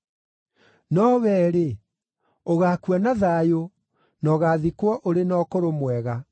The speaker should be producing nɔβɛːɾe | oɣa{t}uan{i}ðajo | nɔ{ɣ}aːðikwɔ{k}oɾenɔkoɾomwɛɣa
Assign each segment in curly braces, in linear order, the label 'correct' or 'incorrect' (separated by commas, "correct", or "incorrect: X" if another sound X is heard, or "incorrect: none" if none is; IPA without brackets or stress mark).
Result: incorrect: k, incorrect: a, correct, incorrect: ʔ